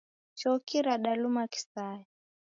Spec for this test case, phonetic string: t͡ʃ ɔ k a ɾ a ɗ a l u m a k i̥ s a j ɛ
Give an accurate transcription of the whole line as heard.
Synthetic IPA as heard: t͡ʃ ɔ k i ɾ a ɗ a l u m a k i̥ s a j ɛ